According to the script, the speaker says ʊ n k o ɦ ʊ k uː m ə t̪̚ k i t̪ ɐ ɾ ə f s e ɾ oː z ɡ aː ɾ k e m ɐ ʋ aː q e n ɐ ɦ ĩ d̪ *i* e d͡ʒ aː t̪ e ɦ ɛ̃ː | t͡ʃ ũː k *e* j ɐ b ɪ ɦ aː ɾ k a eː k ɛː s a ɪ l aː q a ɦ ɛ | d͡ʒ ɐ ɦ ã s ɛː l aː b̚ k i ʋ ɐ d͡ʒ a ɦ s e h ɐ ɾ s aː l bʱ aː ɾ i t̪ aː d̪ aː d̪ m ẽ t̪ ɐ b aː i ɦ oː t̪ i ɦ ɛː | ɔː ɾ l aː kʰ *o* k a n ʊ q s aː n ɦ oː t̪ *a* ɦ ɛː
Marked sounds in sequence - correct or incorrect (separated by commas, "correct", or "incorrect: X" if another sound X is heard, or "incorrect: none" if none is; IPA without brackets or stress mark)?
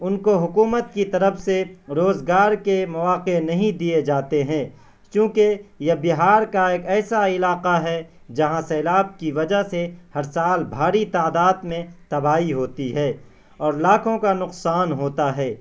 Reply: correct, correct, incorrect: õ, correct